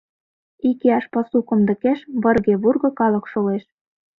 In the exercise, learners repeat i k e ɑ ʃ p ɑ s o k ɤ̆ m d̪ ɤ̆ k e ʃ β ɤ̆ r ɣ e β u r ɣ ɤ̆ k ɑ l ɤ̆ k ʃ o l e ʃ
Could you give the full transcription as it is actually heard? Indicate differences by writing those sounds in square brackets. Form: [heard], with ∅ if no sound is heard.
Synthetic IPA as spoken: i k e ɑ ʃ p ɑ s [u] k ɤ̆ m d̪ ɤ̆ k e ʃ β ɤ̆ r ɣ e β u r ɣ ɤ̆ k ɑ l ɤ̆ k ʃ o l e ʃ

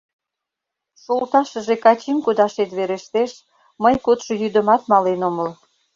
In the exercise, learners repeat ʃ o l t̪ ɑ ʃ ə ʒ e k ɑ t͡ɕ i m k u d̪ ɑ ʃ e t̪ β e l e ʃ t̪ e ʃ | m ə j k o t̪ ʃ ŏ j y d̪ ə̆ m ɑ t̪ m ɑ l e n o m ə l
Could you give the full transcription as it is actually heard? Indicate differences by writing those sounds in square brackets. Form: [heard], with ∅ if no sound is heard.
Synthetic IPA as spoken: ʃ o l t̪ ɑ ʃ ə ʒ e k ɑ t͡ɕ i m k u d̪ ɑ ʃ e t̪ β e [ɾ] e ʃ t̪ e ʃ | m ə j k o t̪ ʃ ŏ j y d̪ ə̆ m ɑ t̪ m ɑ l e n o m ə l

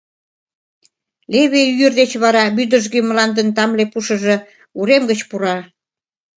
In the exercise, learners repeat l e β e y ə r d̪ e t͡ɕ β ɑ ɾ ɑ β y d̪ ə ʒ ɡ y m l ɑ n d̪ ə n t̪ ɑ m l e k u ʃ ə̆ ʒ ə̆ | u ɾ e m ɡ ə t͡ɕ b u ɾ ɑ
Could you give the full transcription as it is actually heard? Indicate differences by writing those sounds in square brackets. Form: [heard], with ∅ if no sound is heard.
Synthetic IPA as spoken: l e β e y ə r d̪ e t͡ɕ β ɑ ɾ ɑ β y d̪ ə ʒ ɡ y m l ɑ n d̪ ə n t̪ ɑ m l e [p] u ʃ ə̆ ʒ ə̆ | u ɾ e m ɡ ə t͡ɕ [p] u ɾ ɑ

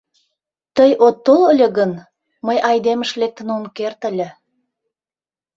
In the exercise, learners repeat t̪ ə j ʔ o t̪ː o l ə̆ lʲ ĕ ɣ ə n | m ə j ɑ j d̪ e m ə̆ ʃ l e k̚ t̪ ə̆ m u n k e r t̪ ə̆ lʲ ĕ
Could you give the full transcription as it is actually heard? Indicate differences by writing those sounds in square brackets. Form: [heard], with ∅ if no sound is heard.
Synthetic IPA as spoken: t̪ ə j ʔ o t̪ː o l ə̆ lʲ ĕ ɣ ə n | m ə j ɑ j d̪ e m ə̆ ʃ l e k̚ t̪ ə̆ [n] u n k e r t̪ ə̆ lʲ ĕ

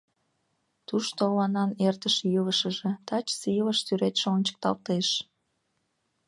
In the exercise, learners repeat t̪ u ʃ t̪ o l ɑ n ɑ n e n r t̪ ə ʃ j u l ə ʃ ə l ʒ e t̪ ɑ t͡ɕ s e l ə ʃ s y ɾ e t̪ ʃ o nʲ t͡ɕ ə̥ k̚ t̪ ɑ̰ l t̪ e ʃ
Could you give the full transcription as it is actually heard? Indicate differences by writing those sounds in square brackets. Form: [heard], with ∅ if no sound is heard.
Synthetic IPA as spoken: t̪ u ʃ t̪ o l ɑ n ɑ n e [∅] r t̪ ə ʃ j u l ə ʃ ə [∅] ʒ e t̪ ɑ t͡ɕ s [i] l ə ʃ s y ɾ e t̪ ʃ o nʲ t͡ɕ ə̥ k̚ t̪ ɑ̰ l t̪ e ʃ

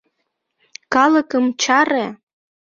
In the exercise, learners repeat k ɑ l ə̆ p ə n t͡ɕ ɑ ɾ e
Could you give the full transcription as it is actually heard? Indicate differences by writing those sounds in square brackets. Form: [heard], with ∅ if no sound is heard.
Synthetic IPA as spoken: k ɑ l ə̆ [k] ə [m] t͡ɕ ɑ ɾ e

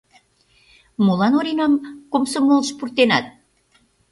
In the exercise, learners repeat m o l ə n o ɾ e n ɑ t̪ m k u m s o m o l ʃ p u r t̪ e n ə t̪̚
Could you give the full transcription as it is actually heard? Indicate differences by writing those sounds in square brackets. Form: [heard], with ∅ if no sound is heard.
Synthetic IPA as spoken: m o l [ɑ] n o ɾ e n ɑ [∅] m k [o] m s o m o l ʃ p u r t̪ e n [ɑ] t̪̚

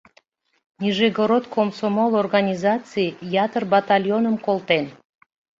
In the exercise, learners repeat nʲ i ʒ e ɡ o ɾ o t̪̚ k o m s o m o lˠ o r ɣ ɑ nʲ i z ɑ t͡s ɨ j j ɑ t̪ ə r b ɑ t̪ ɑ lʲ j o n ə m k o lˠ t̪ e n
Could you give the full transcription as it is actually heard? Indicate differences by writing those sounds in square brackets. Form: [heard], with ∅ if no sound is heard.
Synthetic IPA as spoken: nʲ i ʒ e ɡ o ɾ o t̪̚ k o m s o m o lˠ o r ɣ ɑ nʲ i z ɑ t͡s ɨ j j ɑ t̪ ə r b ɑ t̪ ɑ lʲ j o n ə m k o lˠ t̪ e n

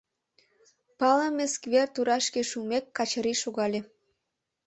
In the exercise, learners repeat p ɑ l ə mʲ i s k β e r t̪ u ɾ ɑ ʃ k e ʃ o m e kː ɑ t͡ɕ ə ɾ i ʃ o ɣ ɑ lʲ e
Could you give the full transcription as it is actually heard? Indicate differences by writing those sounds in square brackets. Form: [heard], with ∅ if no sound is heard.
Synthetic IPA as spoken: p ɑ l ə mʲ [e] s k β e r t̪ u ɾ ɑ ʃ k e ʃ [u] m e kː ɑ t͡ɕ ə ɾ i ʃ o ɣ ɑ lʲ e

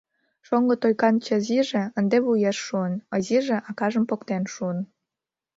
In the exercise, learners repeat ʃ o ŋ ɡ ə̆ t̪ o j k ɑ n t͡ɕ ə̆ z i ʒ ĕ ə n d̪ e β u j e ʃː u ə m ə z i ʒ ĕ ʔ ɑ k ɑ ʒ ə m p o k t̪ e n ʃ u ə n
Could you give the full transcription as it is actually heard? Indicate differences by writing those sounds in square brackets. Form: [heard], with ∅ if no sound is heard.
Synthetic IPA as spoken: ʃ o ŋ ɡ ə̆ t̪ o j k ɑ n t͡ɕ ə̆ z i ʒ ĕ ə n d̪ e β u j e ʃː u ə [n] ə z i ʒ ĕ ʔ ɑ k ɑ ʒ ə m p o k t̪ e n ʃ u ə n

